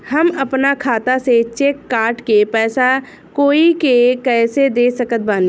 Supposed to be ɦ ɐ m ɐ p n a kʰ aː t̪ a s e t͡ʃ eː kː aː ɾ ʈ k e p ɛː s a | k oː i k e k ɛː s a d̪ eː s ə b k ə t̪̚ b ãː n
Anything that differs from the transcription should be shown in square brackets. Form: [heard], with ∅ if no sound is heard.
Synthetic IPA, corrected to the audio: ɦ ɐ m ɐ p n a kʰ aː t̪ a s e t͡ʃ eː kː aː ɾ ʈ k e p ɛː s a | k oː i k e k ɛː s [e] d̪ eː s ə [∅] k ə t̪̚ b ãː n